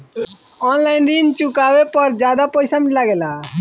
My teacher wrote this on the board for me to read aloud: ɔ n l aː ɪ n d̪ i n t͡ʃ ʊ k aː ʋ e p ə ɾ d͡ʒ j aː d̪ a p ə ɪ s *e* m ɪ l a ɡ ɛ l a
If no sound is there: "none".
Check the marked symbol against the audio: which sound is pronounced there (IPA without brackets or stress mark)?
a